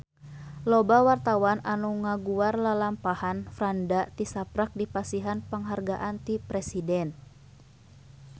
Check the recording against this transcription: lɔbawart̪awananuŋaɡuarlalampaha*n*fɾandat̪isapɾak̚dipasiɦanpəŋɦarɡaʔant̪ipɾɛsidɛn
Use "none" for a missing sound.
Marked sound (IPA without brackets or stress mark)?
n